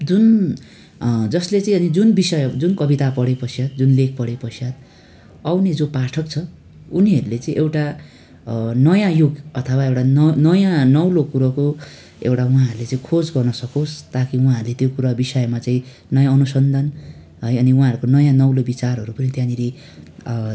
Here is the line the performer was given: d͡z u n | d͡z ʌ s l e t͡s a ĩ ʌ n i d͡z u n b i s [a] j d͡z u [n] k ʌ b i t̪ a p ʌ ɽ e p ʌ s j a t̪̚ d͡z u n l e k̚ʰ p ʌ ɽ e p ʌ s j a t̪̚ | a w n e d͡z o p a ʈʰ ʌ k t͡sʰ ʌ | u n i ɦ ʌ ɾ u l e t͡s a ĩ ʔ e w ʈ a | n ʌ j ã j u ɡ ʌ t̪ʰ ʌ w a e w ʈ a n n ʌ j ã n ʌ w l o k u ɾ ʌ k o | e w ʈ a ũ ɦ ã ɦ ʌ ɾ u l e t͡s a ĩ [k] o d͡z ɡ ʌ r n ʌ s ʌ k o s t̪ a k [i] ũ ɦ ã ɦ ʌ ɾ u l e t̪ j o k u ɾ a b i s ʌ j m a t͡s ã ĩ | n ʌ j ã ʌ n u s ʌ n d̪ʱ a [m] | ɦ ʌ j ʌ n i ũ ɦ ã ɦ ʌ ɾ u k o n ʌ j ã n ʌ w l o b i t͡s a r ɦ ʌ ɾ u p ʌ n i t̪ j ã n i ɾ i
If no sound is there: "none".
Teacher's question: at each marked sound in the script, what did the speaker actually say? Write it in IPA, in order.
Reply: ʌ, n, kʰ, i, n

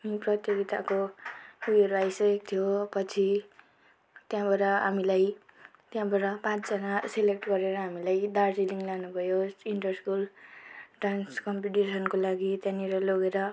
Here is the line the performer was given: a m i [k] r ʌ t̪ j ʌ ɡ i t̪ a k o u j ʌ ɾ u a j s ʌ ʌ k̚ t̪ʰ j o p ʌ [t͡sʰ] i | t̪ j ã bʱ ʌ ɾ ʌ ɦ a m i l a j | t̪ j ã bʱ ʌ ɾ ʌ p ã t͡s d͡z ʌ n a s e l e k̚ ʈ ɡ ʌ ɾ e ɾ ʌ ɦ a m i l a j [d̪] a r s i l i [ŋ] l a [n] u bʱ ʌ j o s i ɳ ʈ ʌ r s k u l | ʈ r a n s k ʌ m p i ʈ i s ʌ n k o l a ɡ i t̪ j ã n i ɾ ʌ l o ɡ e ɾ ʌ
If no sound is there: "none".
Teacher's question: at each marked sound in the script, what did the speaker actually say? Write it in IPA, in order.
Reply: p, t͡sʰ, d̪, ŋ, n

